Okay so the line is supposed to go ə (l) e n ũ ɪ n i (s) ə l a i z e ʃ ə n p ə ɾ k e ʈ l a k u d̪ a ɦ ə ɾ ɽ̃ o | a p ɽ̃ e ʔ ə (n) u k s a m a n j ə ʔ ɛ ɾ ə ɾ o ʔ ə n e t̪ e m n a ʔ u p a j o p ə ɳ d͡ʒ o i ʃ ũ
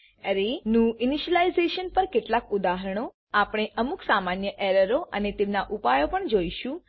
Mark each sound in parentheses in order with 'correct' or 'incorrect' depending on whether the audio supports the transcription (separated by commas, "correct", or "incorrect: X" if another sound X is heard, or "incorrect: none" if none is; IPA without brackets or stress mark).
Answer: incorrect: ɾ, incorrect: ʃ, incorrect: m